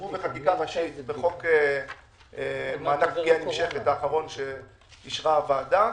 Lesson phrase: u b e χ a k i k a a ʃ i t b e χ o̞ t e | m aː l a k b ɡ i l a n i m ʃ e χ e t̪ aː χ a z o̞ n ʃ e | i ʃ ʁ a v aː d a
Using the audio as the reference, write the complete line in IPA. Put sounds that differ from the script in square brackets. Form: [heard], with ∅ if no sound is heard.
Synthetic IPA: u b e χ a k i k a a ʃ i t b e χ o̞ [k] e | m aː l a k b ɡ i [∅] a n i m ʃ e χ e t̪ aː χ a [ʁ] o̞ n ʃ e | i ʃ ʁ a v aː d a